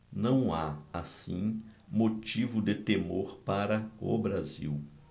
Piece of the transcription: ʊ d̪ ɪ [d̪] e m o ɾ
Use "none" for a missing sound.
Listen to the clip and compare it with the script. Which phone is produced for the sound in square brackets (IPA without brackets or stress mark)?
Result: t̪